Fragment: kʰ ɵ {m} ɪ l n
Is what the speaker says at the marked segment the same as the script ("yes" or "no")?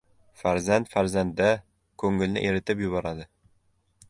no